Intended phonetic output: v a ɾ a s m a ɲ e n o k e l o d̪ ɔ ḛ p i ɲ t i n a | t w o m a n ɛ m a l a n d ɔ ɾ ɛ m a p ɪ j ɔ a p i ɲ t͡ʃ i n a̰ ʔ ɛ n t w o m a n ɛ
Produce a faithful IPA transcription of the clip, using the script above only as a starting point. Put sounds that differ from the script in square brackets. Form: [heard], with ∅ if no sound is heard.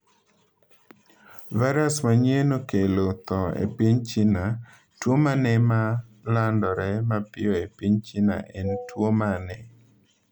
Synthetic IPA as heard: v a ɾ a s m a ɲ e n o k e l o [t̪] ɔ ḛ p i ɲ [t͡ʃ] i n a | t w o m a n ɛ m a l a n d ɔ ɾ ɛ m a p ɪ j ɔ [e] p i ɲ t͡ʃ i n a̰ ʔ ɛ n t w o m a n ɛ

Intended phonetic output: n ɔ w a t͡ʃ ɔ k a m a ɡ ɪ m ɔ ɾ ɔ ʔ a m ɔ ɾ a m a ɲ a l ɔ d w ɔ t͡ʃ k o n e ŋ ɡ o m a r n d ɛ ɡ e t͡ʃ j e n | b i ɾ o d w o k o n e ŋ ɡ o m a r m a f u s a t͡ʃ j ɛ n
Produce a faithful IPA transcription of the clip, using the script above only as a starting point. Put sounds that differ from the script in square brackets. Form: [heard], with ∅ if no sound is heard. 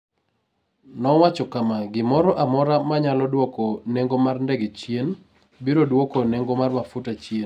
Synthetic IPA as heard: n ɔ w a t͡ʃ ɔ k a m a ɡ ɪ m ɔ ɾ ɔ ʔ a m ɔ ɾ a m a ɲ a l ɔ d w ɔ [∅] k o n e ŋ ɡ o m a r n d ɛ ɡ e t͡ʃ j e n | b i ɾ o d w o k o n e ŋ ɡ o m a r m a f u [t] a t͡ʃ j [e] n

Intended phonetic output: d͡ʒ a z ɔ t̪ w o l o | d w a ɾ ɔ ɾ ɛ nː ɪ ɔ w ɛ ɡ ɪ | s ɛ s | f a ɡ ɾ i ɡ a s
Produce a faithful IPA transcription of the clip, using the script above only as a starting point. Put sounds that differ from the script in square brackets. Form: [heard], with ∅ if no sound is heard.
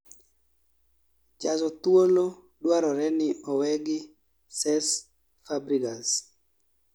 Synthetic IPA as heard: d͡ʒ a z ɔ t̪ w o l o | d w a ɾ ɔ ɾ ɛ [n] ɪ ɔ w ɛ ɡ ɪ | s ɛ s | f a [b] ɾ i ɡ a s

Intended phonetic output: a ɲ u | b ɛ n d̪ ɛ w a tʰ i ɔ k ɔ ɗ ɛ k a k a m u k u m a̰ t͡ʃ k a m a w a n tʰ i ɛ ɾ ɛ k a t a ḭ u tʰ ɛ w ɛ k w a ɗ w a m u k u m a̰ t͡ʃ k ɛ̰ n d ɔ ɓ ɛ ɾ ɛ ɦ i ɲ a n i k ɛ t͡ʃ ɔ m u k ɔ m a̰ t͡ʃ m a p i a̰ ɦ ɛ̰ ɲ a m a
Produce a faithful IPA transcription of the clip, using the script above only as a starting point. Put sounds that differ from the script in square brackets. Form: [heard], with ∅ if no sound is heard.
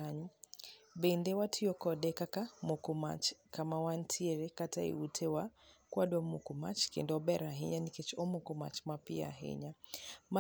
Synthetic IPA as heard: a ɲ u | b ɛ n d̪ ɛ w a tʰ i ɔ k ɔ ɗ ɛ k a k a m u k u m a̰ t͡ʃ k a m a w a n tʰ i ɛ ɾ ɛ k a t a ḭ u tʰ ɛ w [a] k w a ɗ w a m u k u m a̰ t͡ʃ k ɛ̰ n d ɔ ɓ ɛ ɾ [a] ɦ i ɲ a n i k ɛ t͡ʃ ɔ m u k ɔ m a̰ t͡ʃ m a p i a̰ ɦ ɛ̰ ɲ a m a

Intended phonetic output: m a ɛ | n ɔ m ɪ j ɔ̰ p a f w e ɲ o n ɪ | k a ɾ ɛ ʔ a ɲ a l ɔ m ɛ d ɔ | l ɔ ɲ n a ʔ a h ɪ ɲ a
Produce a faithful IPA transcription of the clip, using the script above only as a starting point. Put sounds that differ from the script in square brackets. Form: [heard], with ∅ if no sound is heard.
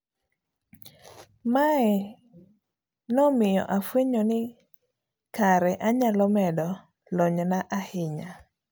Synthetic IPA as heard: m a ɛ | n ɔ m ɪ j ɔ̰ [ʔ] a f w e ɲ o n ɪ | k a ɾ ɛ ʔ a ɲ a l ɔ m ɛ d ɔ | l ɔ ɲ n a ʔ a h ɪ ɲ a

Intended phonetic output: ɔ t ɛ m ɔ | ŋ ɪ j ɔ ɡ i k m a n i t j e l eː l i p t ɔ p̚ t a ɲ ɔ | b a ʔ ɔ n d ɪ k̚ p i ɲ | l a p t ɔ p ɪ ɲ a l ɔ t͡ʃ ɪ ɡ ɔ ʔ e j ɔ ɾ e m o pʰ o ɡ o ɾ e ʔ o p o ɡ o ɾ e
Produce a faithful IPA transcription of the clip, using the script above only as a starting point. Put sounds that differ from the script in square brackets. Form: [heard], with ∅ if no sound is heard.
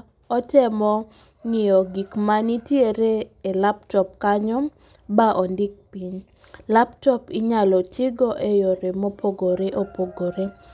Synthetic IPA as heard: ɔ t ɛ m ɔ | ŋ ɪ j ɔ ɡ i k m a n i t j e [ɾ] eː l [a] p t ɔ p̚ [k] a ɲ ɔ | b a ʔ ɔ n d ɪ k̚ p i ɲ | l a p t ɔ p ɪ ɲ a l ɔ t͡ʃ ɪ ɡ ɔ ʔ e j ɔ ɾ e m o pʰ o ɡ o ɾ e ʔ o p o ɡ o ɾ e

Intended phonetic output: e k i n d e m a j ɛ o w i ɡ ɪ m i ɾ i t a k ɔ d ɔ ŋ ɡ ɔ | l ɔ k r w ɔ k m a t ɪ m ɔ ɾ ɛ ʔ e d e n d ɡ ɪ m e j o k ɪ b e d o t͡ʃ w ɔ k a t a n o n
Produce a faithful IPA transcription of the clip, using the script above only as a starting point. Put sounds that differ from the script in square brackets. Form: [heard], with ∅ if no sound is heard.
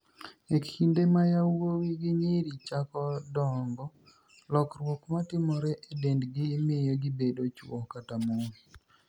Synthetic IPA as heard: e k i n d e m a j [a] o w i ɡ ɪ [ɲ] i ɾ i [t͡ʃ] a k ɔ d ɔ ŋ ɡ ɔ | l ɔ k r w ɔ k m a t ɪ m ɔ ɾ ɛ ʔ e d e n d ɡ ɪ m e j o [ɡ] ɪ b e d o t͡ʃ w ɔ k a t a [m] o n

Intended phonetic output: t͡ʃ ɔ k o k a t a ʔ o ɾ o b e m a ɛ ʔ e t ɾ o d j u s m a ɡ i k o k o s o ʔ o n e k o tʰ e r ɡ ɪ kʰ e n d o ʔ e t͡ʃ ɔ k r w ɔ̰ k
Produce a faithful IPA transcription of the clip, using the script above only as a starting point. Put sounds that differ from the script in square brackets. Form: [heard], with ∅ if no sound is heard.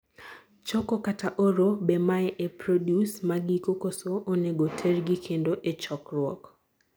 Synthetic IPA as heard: t͡ʃ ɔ k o k a t a ʔ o ɾ o b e m a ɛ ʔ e [p] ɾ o d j u s m a ɡ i k o k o s o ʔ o n e [ɡ] o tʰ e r ɡ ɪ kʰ e n d o ʔ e t͡ʃ ɔ k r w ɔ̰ k

